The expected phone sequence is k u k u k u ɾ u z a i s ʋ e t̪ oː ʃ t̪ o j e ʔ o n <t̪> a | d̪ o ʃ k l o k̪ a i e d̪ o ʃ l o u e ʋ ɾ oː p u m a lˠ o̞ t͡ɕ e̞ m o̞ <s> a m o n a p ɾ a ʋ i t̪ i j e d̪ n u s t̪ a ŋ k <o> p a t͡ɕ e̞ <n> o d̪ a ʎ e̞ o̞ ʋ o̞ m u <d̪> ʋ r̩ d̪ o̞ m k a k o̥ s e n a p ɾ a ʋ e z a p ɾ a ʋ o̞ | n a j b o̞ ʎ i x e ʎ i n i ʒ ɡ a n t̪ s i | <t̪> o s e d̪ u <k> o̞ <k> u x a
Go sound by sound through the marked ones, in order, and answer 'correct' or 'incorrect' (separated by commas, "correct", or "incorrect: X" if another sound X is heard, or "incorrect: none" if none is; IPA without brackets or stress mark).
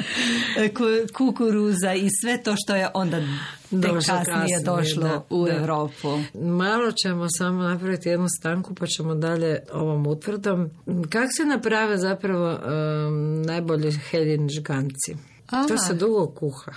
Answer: incorrect: d̪, correct, incorrect: u, incorrect: m, incorrect: t̪, correct, incorrect: ɡ, correct